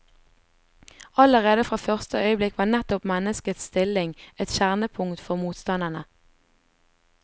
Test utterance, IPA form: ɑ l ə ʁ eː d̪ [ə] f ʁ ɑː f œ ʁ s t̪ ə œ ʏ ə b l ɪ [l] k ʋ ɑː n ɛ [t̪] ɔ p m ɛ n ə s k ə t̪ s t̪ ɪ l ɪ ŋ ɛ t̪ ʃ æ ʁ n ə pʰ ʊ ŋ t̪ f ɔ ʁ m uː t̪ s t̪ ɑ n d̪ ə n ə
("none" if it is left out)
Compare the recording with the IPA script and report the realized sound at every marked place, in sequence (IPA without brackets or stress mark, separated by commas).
ə, none, t̪